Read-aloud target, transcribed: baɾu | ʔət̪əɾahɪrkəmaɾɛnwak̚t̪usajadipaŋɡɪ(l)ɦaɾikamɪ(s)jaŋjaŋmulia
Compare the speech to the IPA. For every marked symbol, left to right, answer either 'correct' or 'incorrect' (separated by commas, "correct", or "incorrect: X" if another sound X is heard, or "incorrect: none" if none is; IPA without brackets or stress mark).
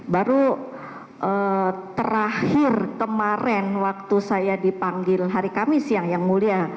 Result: correct, correct